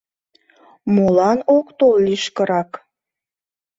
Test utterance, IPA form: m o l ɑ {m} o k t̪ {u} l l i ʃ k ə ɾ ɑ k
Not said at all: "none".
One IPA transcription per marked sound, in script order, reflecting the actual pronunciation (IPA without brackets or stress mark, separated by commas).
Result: n, o